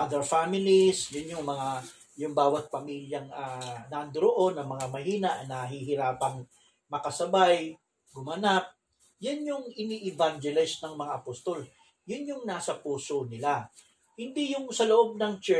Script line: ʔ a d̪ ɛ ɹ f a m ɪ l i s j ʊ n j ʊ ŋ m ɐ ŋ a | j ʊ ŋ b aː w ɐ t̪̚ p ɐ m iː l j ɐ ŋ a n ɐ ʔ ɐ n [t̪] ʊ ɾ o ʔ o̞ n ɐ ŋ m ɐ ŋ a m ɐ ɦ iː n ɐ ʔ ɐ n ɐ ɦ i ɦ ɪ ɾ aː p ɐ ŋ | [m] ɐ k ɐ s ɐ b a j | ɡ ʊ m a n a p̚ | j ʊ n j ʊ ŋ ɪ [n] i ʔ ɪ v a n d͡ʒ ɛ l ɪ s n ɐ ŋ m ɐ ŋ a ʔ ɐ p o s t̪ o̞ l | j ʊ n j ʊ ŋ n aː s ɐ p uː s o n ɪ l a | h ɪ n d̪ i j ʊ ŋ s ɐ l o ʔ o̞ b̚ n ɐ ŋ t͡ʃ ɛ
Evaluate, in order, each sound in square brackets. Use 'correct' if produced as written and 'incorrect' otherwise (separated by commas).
incorrect, correct, correct